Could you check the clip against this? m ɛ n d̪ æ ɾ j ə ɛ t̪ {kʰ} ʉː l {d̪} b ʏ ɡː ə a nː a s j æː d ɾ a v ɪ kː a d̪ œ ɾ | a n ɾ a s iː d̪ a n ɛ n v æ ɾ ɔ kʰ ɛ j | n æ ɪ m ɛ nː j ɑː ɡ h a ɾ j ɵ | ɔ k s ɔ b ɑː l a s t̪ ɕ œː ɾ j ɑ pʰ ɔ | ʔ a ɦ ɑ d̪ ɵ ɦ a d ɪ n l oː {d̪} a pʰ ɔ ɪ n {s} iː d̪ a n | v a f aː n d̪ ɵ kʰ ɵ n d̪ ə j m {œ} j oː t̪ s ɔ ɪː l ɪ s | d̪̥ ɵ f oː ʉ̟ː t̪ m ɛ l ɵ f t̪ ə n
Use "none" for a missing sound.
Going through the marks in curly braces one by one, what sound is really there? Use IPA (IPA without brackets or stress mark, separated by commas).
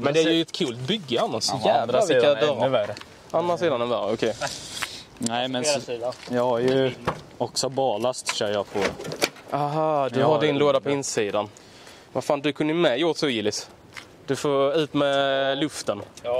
kʰ, t̪, d̪, s, ɛ